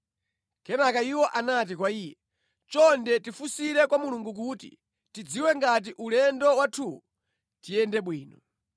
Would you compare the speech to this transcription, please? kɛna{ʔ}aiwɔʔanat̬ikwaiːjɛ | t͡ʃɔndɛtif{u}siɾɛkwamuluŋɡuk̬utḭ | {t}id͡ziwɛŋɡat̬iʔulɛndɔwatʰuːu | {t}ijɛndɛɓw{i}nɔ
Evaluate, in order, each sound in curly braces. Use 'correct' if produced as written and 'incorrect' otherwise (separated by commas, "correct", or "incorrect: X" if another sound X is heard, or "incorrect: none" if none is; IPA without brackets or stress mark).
incorrect: k, correct, correct, correct, incorrect: iː